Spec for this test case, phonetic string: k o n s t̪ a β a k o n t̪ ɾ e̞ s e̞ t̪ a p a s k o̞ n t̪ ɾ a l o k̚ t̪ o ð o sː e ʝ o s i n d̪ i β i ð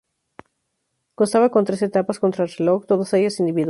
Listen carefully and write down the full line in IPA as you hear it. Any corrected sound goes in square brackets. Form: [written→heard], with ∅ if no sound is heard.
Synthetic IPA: k o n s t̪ a β a k o n t̪ ɾ e̞ s e̞ t̪ a p a s k o̞ n t̪ ɾ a l o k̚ t̪ o ð o [sː→s] e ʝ o s i n d̪ i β i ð

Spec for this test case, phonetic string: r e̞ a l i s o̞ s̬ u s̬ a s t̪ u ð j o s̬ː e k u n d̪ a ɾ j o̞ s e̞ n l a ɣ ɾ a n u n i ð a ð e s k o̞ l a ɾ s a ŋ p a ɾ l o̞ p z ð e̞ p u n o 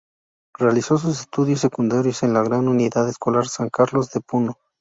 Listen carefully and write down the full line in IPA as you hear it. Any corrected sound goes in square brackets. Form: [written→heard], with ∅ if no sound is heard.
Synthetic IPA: r e̞ a l i s o̞ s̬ u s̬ [a→e] s t̪ u ð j o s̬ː e k u n d̪ a ɾ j o̞ s e̞ n l a ɣ ɾ a n u n i ð a ð e s k o̞ l a ɾ s a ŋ [p→k] a ɾ l o̞ [p→∅] z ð e̞ p u n o

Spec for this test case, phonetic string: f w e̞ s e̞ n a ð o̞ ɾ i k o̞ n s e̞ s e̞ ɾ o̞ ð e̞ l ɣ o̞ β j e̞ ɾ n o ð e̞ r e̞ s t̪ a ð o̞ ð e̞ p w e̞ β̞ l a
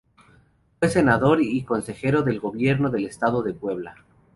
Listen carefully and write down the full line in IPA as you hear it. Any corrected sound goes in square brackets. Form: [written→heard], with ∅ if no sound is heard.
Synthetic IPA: f w e̞ s e̞ n a ð o̞ ɾ i k o̞ n s e̞ [s→x] e̞ ɾ o̞ ð e̞ l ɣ o̞ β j e̞ ɾ n o ð e̞ [r→l] e̞ s t̪ a ð o̞ ð e̞ p w e̞ β̞ l a

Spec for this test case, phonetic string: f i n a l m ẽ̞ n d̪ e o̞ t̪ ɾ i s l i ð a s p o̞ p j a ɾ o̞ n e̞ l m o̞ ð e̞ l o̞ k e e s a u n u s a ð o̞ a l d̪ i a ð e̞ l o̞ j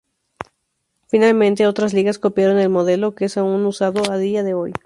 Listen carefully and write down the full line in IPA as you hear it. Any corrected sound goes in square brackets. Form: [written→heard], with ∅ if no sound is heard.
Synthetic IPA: f i n a l m ẽ̞ n [d̪→t̪] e o̞ t̪ ɾ [i→a] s l i [ð→ɣ] a s [p→k] o̞ p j a ɾ o̞ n e̞ l m o̞ ð e̞ l o̞ k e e s a u n u s a ð o̞ a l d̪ i a ð e̞ [l→∅] o̞ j

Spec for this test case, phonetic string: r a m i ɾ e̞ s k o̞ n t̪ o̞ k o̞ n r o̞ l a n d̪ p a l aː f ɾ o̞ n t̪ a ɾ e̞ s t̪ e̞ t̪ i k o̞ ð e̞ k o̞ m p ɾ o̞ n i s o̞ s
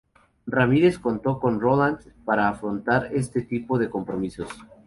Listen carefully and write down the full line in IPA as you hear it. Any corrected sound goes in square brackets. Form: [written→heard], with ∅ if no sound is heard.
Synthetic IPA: r a m i ɾ e̞ s k o̞ n t̪ o̞ k o̞ n r o̞ l a n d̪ p a [l→ɾ] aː f ɾ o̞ n t̪ a ɾ e̞ s t̪ e̞ t̪ i [k→p] o̞ ð e̞ k o̞ m p ɾ o̞ [n→m] i s o̞ s

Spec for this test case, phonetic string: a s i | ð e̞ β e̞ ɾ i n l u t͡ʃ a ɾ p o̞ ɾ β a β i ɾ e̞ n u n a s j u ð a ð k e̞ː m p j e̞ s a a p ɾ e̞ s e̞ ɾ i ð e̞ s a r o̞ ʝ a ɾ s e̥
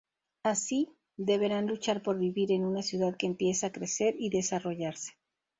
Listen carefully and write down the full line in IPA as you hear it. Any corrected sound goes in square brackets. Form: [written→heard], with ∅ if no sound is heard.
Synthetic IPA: a s i | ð e̞ β e̞ ɾ [i→a] n l u t͡ʃ a ɾ p o̞ ɾ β [a→i] β i ɾ e̞ n u n a s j u ð a ð k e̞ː m p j e̞ s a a [p→k] ɾ e̞ s e̞ ɾ i ð e̞ s a r o̞ ʝ a ɾ s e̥

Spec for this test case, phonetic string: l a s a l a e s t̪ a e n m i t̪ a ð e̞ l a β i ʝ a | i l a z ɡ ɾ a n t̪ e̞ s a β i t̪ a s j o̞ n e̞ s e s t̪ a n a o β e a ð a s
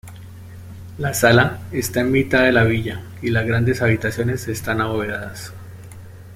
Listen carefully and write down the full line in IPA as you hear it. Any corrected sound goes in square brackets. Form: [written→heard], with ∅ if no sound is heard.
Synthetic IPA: l a s a l a e s t̪ a e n m i t̪ a ð e̞ l a β i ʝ a | i l a z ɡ ɾ a n [t̪→d̪] e̞ s a β i t̪ a s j o̞ n e̞ s e s t̪ a n a o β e a ð a s

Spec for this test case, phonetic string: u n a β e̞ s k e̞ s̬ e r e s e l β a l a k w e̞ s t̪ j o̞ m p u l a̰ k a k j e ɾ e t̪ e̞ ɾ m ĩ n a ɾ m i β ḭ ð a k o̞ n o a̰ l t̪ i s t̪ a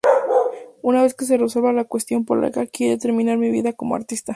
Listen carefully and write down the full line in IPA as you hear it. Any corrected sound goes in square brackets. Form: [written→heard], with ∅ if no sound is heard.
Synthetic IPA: u n a β e̞ s k e̞ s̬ e r e s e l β a l a k w e̞ s t̪ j o̞ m p [u→o] l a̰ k a k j e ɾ e t̪ e̞ ɾ m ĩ n a ɾ m i β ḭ ð a k o̞ [n→m] o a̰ [l→ɾ] t̪ i s t̪ a

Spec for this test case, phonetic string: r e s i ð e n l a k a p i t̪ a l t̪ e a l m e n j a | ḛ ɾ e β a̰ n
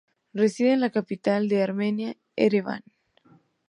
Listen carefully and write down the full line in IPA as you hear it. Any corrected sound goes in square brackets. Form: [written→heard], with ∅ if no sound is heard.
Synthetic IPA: r e s i ð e n l a k a p i t̪ a l [t̪→d̪] e a [l→ɾ] m e n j a | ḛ ɾ e β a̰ n

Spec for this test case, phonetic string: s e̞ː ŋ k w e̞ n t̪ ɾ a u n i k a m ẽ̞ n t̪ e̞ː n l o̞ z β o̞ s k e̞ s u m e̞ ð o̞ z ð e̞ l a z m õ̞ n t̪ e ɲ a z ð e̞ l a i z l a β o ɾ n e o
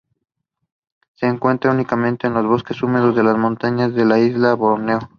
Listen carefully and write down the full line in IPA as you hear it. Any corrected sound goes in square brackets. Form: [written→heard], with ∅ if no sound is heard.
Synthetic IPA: s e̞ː ŋ k w e̞ n t̪ ɾ a u n i k a m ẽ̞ n t̪ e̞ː n l o̞ z β o̞ s k e̞ s u m e̞ ð o̞ z ð e̞ l a z m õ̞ n t̪ [e→a] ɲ a z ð e̞ l a i z l a β o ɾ n e o

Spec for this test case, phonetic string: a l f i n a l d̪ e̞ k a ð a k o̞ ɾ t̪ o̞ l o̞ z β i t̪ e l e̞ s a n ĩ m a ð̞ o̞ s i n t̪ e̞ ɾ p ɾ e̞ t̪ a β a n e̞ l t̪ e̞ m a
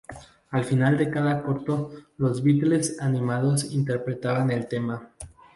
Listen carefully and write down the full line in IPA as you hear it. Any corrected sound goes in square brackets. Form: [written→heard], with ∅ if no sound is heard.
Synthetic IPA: a l f i n a l d̪ e̞ k a ð a k o̞ ɾ t̪ o̞ l o̞ z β i t̪ e l e̞ s a n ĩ m a ð̞ o̞ s i n t̪ e̞ ɾ p ɾ e̞ t̪ a β a n e̞ l t̪ e̞ m a

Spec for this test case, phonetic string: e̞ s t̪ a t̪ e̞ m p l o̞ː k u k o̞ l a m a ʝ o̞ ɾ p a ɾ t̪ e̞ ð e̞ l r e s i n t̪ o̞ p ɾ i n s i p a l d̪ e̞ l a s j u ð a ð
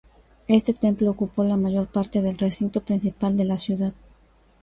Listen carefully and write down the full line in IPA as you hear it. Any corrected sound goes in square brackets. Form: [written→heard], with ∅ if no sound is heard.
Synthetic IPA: e̞ s t̪ [a→e] t̪ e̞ m p l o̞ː k u [k→p] o̞ l a m a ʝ o̞ ɾ p a ɾ t̪ e̞ ð e̞ l r e s i n t̪ o̞ p ɾ i n s i p a l d̪ e̞ l a s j u ð a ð

